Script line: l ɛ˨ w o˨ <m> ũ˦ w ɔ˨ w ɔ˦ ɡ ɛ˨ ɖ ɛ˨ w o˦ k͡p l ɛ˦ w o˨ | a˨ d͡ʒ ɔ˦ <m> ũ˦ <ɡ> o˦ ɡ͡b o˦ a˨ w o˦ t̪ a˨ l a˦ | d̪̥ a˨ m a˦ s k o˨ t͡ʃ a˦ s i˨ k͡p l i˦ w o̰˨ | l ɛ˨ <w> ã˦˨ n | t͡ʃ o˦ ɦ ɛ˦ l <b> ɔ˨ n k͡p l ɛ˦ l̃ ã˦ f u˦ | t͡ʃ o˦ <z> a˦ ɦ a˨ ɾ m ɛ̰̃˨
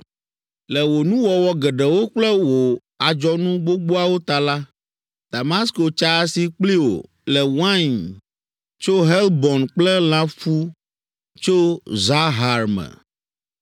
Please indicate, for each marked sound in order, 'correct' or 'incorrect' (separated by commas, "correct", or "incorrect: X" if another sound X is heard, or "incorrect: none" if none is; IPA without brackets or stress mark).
incorrect: n, incorrect: n, incorrect: ɡ͡b, correct, correct, correct